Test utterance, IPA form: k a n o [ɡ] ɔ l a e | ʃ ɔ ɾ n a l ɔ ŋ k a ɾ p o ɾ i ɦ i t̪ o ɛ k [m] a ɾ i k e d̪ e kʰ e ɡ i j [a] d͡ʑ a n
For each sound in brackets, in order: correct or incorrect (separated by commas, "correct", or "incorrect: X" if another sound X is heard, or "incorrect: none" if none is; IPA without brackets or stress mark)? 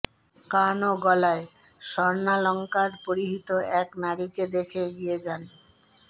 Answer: correct, incorrect: n, incorrect: e